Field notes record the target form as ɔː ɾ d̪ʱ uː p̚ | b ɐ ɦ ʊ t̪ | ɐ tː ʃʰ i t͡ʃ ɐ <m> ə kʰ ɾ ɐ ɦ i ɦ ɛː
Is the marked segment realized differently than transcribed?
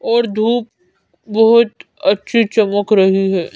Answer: no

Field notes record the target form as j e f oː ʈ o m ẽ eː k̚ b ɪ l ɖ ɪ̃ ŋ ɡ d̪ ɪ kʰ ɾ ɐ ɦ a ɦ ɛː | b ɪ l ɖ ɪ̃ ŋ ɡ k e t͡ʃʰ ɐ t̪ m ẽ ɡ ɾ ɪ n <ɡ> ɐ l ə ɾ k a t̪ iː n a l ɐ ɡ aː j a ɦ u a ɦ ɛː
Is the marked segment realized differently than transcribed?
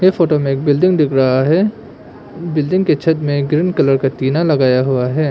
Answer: yes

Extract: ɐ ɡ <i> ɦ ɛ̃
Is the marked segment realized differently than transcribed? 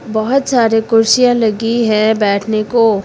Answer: no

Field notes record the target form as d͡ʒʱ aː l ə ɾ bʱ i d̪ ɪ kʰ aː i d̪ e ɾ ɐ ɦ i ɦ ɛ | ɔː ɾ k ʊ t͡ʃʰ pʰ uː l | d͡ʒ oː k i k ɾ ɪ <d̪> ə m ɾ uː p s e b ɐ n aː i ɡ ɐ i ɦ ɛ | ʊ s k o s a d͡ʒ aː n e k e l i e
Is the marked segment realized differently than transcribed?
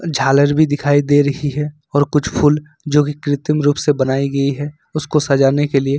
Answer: yes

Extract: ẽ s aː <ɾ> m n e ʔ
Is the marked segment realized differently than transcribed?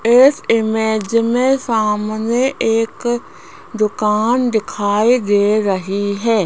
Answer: yes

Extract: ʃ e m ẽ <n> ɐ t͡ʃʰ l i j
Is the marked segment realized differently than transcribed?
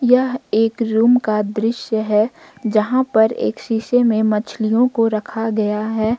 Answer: yes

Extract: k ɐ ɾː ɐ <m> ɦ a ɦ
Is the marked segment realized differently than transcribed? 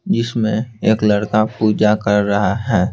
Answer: yes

